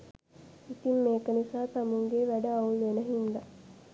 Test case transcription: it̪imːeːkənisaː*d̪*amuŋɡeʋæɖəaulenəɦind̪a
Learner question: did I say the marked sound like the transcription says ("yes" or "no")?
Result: no